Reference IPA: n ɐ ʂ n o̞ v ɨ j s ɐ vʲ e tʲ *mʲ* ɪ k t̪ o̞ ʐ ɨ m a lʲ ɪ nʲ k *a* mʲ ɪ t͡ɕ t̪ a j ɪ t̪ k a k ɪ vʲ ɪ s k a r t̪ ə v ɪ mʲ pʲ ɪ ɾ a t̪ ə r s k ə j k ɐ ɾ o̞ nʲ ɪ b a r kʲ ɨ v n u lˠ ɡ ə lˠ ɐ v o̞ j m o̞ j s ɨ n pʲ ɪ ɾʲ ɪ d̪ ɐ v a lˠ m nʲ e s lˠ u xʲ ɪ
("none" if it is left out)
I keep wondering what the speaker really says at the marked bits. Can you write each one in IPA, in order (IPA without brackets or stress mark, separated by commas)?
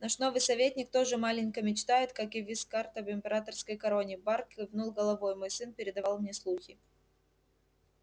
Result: nʲ, ə